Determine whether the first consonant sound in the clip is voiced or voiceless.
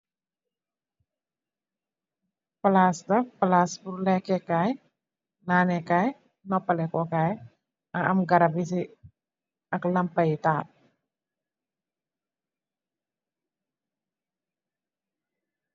voiceless